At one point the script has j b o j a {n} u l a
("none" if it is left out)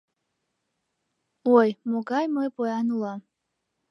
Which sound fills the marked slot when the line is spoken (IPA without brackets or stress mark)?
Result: n